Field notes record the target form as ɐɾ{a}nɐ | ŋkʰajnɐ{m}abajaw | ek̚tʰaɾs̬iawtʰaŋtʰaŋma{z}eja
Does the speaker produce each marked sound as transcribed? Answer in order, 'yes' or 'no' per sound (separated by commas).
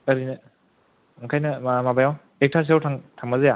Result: no, yes, yes